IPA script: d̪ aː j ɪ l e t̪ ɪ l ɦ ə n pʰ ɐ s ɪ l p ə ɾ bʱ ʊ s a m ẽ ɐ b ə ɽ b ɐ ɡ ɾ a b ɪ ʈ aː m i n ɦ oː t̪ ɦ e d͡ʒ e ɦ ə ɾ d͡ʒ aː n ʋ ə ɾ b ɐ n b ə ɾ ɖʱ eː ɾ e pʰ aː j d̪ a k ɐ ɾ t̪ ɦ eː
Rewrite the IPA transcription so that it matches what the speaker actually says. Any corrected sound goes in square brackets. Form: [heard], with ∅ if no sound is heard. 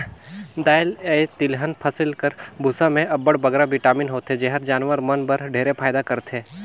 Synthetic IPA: d̪ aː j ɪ l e t̪ ɪ l ɦ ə n pʰ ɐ s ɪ l [k] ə ɾ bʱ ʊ s a m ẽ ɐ b ə ɽ b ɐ ɡ ɾ a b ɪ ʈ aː m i n ɦ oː t̪ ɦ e d͡ʒ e ɦ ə ɾ d͡ʒ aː n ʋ ə ɾ [m] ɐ n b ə ɾ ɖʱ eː ɾ e pʰ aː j d̪ a k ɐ ɾ t̪ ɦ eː

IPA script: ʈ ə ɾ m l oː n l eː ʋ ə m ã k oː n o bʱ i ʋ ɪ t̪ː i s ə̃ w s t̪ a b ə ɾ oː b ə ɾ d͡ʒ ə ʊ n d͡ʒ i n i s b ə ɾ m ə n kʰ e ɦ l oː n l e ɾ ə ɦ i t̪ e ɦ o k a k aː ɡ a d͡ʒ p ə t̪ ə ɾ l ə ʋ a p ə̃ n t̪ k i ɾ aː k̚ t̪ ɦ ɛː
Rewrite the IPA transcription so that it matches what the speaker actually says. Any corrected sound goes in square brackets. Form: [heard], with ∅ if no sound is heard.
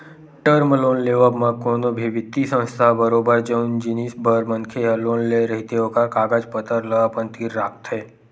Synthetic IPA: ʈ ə ɾ m l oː n l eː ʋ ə m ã k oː n o bʱ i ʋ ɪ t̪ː i s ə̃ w s [t̪ʰ] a b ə ɾ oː b ə ɾ d͡ʒ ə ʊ n d͡ʒ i n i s b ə ɾ m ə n kʰ e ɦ l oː n l e ɾ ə ɦ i t̪ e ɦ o k a k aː ɡ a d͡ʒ p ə t̪ ə ɾ l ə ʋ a p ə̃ n t̪ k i ɾ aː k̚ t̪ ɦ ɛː

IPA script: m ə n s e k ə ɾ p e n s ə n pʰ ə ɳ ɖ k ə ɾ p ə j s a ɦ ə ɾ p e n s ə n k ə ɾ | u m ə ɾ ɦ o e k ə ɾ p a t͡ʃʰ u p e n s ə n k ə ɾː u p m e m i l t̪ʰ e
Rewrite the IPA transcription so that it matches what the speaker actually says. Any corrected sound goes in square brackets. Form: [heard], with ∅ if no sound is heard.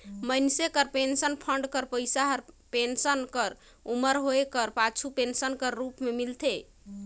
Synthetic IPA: m ə n s e k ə ɾ p e n s ə n pʰ ə ɳ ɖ k ə ɾ p ə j s a ɦ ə ɾ p e n s ə n k ə ɾ | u m ə ɾ ɦ o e k ə ɾ p a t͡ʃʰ u p e n s ə n k ə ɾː u p m e m i l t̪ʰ e

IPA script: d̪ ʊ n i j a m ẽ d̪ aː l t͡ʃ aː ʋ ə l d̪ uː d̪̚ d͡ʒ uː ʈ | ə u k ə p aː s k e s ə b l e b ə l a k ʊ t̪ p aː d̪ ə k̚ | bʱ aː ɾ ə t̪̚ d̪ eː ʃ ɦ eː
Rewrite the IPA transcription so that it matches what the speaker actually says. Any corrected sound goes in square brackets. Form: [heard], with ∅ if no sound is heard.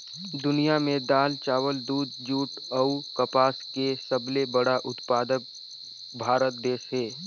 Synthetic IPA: d̪ ʊ n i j a m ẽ d̪ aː l t͡ʃ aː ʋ ə l d̪ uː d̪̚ d͡ʒ uː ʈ | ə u k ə p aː s k e s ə b l e b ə [ɽ] a [ʔ] ʊ t̪ p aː d̪ ə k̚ | bʱ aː ɾ ə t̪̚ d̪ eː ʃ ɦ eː

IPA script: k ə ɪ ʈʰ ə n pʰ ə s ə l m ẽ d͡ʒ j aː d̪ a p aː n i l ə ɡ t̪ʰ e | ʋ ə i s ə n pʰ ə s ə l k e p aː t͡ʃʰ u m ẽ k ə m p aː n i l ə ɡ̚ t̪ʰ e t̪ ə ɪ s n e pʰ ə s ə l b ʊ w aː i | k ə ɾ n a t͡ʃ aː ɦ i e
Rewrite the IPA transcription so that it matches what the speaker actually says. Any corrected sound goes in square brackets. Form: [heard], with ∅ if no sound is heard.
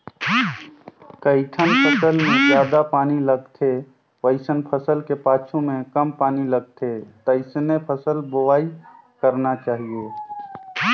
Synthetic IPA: k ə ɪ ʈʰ ə n pʰ ə s ə l m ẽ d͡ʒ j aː d̪ a p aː n i l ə ɡ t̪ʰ e | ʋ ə [ɪ] s ə n pʰ ə s ə l k e p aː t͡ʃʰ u m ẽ k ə m p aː n i l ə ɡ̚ t̪ʰ e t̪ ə ɪ s n e pʰ ə s ə l b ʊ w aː i | k ə ɾ n a t͡ʃ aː ɦ i e

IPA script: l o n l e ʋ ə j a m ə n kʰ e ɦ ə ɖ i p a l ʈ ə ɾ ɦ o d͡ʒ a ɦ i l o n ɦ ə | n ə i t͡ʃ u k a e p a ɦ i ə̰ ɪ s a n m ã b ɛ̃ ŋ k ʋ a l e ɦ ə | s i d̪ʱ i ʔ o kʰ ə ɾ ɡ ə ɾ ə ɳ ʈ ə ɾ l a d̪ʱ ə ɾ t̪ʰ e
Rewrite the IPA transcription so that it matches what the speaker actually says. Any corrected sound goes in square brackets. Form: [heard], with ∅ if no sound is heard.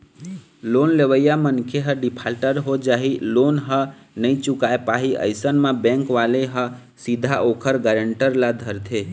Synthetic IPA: l o n l e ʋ ə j a m ə n kʰ e ɦ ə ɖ i [pʰ] a l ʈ ə ɾ ɦ o d͡ʒ a ɦ i l o n ɦ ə | n ə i t͡ʃ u k a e p a ɦ i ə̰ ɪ s [ə] n m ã b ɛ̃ ŋ k ʋ a l e ɦ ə | s i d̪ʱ [a] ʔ o kʰ ə ɾ ɡ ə ɾ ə ɳ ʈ ə ɾ l a d̪ʱ ə ɾ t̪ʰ e

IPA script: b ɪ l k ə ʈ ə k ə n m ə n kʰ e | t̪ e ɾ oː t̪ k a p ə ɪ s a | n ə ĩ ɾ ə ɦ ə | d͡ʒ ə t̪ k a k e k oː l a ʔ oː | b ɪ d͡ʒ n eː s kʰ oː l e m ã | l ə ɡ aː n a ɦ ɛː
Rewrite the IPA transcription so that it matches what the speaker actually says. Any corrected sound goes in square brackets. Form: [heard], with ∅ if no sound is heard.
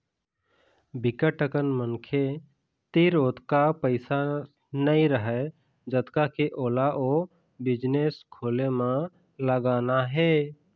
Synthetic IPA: b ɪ [∅] k ə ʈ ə k ə n m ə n kʰ e | t̪ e ɾ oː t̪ k a p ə ɪ s a | n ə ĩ ɾ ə ɦ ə | d͡ʒ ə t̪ k a k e [ʔ] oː l a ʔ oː | b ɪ d͡ʒ n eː s kʰ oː l e m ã | l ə ɡ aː n a ɦ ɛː

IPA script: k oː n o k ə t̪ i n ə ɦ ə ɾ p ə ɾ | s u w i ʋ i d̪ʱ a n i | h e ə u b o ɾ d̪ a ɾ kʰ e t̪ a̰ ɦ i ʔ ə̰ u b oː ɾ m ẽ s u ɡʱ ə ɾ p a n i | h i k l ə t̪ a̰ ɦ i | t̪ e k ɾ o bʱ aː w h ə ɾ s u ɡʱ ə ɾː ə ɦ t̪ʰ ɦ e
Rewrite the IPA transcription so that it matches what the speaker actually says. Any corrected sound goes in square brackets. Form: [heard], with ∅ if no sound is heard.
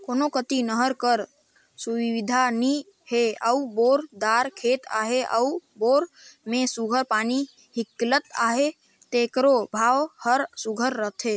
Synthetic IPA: k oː n o k ə t̪ i n ə ɦ ə ɾ [k] ə ɾ | s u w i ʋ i d̪ʱ a n i | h e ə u b o ɾ d̪ a ɾ kʰ e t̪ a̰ ɦ [e] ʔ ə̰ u b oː ɾ m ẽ s u ɡʱ ə ɾ p a n i | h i k l ə t̪ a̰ ɦ [e] | t̪ e k ɾ o bʱ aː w h ə ɾ s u ɡʱ ə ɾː ə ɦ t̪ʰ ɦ e

